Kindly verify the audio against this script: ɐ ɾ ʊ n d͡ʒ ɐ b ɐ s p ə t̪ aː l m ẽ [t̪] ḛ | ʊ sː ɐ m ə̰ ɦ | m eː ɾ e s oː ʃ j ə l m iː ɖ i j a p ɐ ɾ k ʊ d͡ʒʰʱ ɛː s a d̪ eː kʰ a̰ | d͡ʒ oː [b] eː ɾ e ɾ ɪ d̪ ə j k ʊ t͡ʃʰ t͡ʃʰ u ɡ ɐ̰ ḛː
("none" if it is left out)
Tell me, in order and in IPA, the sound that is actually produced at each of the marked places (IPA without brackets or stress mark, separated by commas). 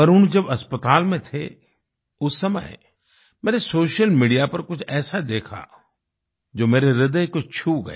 t̪ʰ, m